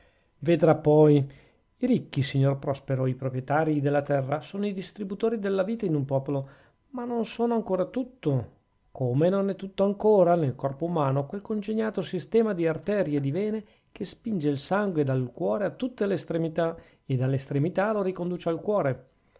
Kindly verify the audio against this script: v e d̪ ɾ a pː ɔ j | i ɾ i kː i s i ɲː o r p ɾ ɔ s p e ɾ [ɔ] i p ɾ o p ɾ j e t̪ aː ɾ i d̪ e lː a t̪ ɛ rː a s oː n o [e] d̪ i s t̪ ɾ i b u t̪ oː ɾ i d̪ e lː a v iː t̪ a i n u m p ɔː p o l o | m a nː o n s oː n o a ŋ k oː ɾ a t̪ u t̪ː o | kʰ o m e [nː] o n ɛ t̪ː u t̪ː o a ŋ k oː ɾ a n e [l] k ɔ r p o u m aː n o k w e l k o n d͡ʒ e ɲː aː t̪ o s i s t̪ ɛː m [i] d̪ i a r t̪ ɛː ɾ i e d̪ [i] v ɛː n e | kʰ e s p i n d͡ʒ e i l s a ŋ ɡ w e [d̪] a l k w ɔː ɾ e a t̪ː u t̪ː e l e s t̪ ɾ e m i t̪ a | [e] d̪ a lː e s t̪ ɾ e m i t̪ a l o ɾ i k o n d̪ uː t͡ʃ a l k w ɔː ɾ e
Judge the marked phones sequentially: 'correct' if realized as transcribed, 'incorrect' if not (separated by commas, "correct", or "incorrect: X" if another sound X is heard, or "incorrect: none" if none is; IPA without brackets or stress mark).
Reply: incorrect: o, incorrect: i, incorrect: n, correct, incorrect: a, correct, correct, correct